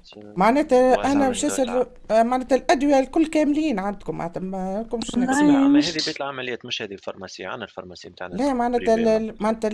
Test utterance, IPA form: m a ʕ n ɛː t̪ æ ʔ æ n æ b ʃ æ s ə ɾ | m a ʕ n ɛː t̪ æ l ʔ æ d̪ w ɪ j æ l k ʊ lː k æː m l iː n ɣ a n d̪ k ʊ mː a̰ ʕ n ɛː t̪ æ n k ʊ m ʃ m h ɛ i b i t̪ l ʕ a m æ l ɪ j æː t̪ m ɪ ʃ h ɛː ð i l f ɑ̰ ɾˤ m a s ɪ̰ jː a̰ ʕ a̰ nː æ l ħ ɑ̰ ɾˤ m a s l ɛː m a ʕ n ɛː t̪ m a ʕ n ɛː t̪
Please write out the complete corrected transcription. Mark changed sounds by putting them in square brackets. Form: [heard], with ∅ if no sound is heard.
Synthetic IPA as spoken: m a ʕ n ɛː t̪ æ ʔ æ n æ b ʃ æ s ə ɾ | m a ʕ n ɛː t̪ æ l ʔ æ d̪ w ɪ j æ l k ʊ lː k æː m l iː n [ʕ] a n d̪ k ʊ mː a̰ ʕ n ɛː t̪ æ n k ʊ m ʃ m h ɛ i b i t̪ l ʕ a m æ l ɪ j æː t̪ m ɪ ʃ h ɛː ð i l f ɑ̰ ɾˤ m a s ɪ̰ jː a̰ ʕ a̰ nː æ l [f] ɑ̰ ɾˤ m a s l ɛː m a ʕ n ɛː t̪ m a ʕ n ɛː t̪